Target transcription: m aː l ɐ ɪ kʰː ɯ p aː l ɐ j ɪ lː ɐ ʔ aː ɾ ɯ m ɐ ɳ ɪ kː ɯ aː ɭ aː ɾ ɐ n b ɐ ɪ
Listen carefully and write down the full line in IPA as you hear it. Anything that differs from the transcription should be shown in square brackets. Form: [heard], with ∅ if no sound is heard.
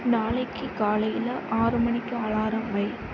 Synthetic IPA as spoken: [n] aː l ɐ ɪ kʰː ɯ [k] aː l ɐ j ɪ [l] ɐ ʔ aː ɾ ɯ m ɐ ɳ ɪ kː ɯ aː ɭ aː ɾ ɐ [m] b ɐ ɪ